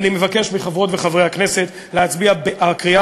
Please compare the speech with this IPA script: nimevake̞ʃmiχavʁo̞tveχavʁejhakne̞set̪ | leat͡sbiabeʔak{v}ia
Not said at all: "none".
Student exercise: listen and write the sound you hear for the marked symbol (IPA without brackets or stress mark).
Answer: ʁ